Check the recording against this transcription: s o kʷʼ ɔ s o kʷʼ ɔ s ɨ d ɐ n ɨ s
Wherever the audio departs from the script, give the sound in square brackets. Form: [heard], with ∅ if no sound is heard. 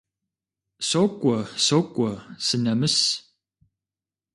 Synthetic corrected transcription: s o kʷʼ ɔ s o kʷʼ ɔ s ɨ [n] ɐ [m] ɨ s